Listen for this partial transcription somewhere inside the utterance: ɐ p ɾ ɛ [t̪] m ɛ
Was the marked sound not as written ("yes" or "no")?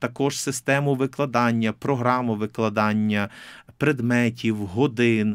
yes